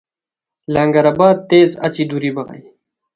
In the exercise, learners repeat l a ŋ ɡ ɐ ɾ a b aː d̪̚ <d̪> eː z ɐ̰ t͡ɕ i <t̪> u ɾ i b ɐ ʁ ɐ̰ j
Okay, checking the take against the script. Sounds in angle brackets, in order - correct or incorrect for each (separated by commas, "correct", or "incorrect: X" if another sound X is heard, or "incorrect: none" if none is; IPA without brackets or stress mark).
incorrect: t̪, incorrect: d̪